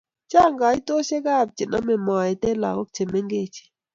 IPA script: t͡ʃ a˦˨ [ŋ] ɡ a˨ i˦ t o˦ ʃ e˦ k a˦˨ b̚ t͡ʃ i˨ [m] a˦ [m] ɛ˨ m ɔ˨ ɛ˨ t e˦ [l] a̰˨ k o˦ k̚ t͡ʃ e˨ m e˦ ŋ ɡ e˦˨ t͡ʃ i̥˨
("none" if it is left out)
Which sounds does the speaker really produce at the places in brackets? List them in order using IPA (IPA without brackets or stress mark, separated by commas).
ŋ, n, m, l